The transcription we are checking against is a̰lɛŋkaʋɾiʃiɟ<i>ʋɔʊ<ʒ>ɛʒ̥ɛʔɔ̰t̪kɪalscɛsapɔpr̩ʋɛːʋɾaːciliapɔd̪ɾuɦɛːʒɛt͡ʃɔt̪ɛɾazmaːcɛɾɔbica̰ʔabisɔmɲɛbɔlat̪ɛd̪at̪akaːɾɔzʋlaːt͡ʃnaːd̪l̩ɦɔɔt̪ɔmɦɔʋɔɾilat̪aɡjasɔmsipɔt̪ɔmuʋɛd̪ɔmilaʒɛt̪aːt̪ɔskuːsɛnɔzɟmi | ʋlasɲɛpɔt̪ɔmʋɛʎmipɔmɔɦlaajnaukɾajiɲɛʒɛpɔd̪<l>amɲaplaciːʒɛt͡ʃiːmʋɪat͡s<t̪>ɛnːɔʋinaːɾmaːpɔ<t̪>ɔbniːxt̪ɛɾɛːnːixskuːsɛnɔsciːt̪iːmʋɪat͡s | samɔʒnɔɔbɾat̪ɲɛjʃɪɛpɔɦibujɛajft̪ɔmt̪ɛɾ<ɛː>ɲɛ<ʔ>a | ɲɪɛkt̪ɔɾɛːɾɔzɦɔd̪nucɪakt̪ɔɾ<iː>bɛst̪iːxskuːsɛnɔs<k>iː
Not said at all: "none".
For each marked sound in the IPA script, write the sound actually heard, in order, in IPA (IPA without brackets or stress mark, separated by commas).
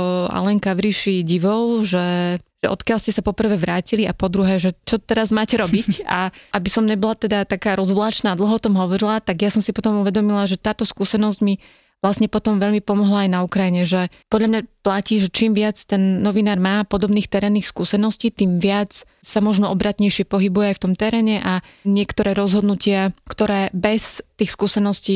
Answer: i, ʒ, ʎ, t̪, d̪, ɛː, ʔ, ɛː, c